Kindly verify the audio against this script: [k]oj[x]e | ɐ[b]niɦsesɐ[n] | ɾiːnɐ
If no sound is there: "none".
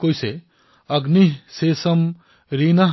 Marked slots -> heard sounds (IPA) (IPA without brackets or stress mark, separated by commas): k, s, ɡ, m